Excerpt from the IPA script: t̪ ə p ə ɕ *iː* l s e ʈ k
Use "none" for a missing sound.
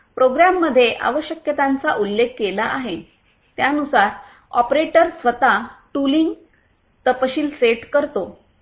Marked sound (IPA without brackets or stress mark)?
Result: iː